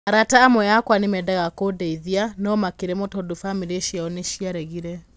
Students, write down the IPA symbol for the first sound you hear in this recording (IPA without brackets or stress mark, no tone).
a